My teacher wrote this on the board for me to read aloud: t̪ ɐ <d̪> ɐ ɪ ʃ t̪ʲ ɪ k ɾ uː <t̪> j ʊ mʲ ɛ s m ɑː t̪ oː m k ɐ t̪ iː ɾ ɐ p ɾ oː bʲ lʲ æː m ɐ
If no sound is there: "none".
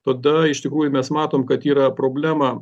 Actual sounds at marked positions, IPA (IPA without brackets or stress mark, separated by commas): d̪, none